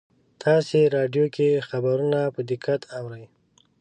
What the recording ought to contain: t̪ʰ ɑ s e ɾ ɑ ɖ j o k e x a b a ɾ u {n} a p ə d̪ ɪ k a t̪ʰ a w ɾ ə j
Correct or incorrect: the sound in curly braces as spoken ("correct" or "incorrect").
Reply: correct